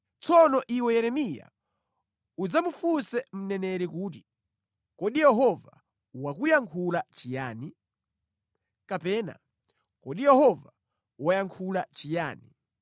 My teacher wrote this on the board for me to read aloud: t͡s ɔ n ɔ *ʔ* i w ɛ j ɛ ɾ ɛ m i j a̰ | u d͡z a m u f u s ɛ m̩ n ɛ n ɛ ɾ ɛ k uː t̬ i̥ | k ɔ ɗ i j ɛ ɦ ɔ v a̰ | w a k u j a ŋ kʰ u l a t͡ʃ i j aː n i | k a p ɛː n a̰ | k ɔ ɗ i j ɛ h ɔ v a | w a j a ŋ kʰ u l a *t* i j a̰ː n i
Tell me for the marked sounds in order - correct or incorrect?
correct, incorrect: t͡ʃ

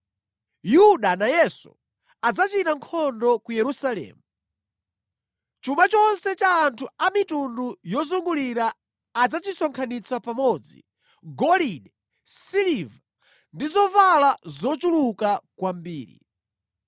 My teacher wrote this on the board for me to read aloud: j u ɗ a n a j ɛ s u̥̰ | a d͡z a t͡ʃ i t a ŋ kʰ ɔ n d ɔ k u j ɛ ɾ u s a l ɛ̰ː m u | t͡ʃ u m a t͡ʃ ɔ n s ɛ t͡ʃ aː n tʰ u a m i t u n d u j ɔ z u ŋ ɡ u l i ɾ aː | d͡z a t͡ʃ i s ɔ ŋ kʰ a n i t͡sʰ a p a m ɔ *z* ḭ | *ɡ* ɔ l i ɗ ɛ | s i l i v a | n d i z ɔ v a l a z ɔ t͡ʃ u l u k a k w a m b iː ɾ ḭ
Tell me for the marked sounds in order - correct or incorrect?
incorrect: d͡z, correct

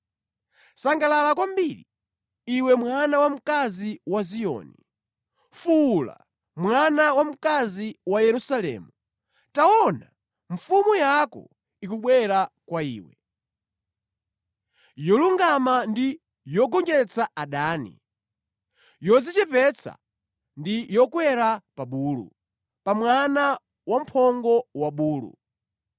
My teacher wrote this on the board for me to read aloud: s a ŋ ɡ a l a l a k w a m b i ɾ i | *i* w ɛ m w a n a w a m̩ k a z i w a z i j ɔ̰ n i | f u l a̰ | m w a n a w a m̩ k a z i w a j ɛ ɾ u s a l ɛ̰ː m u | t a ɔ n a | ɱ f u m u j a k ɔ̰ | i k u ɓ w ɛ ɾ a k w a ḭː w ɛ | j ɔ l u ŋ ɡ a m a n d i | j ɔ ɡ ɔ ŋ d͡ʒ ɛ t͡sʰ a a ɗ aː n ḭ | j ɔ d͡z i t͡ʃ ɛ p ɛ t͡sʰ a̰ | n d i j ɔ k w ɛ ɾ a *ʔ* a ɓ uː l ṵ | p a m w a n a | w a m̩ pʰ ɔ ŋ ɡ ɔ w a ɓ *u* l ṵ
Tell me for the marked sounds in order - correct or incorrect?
correct, incorrect: p, incorrect: uː

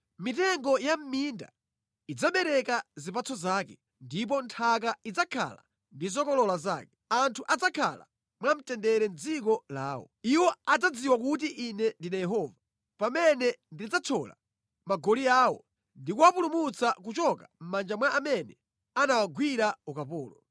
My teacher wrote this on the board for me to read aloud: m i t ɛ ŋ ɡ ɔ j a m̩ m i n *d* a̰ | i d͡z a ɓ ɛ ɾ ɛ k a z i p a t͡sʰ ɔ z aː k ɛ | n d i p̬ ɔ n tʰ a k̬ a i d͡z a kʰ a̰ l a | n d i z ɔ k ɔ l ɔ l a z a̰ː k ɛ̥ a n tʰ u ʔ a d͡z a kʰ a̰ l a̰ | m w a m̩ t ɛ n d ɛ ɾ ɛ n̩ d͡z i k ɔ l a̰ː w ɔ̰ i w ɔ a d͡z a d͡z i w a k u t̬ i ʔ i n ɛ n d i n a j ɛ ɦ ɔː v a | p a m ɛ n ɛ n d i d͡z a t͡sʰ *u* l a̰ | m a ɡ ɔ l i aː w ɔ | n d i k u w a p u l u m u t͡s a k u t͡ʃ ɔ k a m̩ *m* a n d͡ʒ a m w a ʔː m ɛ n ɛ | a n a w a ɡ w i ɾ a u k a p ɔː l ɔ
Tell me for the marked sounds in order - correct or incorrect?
correct, incorrect: ɔ, correct

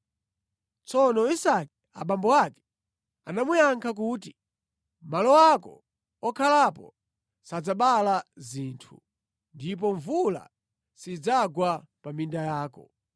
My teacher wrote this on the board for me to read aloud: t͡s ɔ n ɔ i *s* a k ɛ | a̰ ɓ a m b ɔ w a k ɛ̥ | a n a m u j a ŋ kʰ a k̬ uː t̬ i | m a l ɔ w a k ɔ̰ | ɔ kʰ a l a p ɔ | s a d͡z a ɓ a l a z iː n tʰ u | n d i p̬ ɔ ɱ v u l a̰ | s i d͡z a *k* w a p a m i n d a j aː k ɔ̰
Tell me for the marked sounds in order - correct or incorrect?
correct, incorrect: ɡ

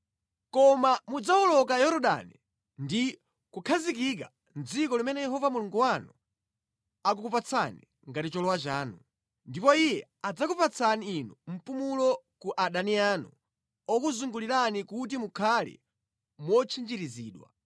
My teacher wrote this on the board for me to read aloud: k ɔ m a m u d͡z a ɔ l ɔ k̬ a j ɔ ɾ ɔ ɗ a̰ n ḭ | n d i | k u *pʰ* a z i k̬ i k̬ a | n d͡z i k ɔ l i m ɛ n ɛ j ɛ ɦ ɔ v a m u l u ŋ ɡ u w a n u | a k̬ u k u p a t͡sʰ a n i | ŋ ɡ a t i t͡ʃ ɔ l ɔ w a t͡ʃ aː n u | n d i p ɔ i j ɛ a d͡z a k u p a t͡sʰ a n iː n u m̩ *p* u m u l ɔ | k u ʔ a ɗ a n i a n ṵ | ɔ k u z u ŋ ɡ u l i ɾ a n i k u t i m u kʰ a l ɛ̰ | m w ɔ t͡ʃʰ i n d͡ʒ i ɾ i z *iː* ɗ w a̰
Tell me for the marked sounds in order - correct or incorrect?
incorrect: kʰ, correct, correct

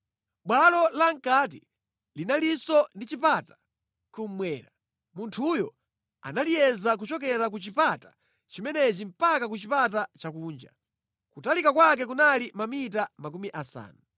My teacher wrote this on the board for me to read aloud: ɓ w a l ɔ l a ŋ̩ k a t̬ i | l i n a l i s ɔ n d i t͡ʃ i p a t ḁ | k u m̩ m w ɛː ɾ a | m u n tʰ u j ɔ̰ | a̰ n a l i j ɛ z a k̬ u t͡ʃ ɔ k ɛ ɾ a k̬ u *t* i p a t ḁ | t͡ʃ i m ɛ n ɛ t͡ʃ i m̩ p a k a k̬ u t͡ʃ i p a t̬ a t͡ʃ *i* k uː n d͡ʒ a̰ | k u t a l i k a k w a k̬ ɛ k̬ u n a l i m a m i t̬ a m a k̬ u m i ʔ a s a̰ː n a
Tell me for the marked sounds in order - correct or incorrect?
incorrect: t͡ʃ, incorrect: a

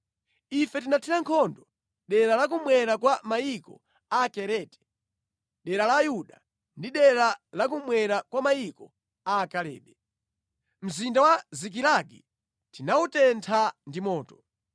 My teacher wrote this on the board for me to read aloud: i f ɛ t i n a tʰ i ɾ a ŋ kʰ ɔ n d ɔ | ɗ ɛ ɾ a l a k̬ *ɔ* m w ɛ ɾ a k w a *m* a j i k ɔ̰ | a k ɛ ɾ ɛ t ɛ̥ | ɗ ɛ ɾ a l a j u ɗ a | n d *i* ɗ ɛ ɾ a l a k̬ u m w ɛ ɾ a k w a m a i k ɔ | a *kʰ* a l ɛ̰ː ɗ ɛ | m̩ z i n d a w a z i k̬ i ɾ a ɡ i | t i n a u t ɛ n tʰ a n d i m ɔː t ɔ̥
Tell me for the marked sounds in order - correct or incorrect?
incorrect: u, correct, correct, incorrect: k

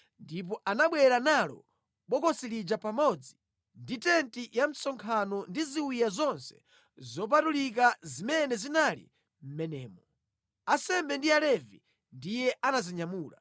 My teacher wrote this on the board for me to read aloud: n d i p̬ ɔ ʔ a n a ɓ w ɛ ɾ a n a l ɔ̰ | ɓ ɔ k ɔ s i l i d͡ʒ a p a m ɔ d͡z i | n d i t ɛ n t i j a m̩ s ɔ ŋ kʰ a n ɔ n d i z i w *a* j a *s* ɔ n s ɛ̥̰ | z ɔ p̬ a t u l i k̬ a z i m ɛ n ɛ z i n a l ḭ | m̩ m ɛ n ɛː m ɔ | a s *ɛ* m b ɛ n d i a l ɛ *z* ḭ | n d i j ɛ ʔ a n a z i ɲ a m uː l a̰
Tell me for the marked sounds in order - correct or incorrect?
incorrect: i, incorrect: z, correct, incorrect: v

